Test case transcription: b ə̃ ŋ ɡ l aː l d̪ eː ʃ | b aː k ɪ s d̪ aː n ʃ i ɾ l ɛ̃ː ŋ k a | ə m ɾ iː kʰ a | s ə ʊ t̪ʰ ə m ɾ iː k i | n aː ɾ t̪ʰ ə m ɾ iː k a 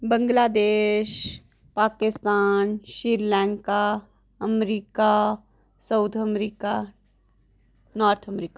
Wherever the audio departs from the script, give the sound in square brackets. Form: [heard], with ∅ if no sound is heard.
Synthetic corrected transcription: b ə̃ ŋ ɡ l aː [∅] d̪ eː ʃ | [p] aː k ɪ s [t̪] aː n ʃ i ɾ l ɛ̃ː ŋ k a | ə m ɾ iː [k] a | s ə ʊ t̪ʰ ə m ɾ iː k [a] | n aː ɾ t̪ʰ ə m ɾ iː k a